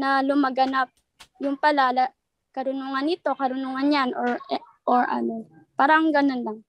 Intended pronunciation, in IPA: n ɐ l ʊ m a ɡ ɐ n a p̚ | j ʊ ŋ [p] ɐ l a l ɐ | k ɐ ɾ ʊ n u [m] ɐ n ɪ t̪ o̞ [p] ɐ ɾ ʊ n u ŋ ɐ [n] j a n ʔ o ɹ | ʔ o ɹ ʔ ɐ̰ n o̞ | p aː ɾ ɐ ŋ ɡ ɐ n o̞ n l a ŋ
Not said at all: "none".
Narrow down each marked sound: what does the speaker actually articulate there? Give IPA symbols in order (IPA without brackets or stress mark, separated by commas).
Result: p, ŋ, k, n